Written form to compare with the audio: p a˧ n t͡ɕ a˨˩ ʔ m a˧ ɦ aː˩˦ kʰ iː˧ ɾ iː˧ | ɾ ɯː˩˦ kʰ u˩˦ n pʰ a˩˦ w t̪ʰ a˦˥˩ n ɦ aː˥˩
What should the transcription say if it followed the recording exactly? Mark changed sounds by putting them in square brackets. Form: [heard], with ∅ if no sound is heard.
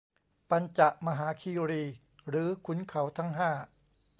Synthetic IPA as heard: p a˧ n t͡ɕ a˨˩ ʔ m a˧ ɦ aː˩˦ kʰ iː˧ ɾ iː˧ | ɾ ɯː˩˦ kʰ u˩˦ n [kʰ] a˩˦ w t̪ʰ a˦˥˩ [ŋ] ɦ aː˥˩